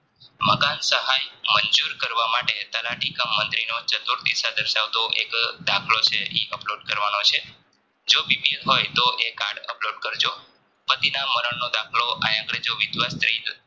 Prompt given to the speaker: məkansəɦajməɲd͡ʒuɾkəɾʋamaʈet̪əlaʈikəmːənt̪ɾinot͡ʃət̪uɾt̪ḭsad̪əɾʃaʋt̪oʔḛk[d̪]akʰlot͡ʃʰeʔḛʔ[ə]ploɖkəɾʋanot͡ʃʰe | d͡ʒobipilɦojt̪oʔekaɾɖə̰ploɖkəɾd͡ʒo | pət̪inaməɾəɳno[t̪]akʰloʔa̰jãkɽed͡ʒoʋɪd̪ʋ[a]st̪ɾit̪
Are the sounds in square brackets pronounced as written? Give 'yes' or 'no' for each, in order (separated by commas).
yes, yes, no, yes